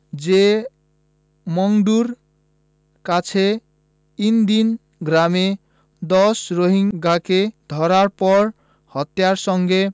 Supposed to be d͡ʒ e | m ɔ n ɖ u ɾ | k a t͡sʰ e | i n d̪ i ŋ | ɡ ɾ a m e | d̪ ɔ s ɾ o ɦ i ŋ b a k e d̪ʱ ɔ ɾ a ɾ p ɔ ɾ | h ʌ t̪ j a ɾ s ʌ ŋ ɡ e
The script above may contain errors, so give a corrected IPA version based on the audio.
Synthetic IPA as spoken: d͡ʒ e | m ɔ ŋ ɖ u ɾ | k a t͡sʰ e | i n d̪ i n | ɡ ɾ a m e | d̪ ɔ s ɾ o ɦ i ŋ ɡ a k e d̪ʱ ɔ ɾ a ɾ p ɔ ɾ | h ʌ t̪ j a ɾ s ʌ ŋ ɡ e